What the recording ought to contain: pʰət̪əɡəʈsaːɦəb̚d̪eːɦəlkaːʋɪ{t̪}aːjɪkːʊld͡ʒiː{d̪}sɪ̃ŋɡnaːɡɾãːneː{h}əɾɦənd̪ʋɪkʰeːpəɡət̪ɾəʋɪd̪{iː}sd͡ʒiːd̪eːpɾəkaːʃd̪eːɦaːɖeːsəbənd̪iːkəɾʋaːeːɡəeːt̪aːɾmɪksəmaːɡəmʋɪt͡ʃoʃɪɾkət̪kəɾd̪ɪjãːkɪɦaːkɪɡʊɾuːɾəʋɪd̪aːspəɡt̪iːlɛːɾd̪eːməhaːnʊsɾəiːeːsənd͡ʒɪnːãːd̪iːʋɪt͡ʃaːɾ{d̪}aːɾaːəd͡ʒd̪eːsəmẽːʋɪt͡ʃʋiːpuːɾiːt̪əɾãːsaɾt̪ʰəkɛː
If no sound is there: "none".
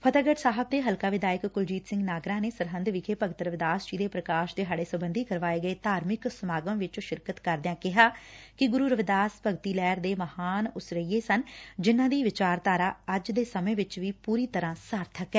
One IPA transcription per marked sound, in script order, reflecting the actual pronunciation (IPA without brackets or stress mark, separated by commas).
d̪, t̪, s, aː, t̪